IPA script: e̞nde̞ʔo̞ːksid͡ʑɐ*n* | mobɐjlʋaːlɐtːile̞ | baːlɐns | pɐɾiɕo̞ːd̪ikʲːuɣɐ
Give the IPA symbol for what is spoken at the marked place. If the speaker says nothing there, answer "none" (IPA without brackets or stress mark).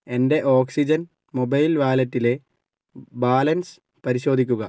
n